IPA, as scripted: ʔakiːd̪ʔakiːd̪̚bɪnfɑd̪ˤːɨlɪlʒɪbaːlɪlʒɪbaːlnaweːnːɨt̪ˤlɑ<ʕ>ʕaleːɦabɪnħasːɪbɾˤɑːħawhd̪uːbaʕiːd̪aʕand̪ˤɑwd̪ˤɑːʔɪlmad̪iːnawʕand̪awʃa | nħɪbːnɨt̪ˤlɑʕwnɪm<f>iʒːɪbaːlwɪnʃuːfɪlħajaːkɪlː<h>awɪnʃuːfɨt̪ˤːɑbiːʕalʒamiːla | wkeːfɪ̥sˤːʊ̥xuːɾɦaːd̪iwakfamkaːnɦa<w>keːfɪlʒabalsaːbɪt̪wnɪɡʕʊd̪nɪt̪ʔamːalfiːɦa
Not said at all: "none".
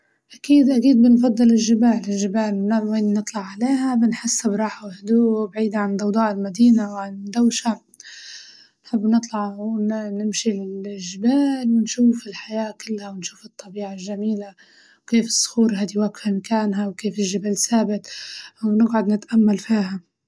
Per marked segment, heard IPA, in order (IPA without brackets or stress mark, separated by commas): ʕ, ʃ, h, w